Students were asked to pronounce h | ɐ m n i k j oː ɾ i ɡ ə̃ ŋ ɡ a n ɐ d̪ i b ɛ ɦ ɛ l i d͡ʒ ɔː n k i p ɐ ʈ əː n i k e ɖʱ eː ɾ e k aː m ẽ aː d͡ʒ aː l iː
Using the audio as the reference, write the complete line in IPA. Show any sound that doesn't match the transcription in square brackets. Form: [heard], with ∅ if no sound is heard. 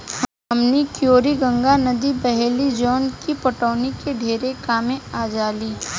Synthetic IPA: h | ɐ m n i k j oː ɾ i ɡ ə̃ ŋ ɡ a n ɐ d̪ i b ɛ ɦ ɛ l i d͡ʒ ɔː n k i p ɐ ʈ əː n i k e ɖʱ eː ɾ e k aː m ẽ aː d͡ʒ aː l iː